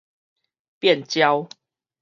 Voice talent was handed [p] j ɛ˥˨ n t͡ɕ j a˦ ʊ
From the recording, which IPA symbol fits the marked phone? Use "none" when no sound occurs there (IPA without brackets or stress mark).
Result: p